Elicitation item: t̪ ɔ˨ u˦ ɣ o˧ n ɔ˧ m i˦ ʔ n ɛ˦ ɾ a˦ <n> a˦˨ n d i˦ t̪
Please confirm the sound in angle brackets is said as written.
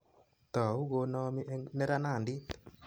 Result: yes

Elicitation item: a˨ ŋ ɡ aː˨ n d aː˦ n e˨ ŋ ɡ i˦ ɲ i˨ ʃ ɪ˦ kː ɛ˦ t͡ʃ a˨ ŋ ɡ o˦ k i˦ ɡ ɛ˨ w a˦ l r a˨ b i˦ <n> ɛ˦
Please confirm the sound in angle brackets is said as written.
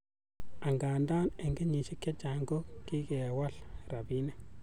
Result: yes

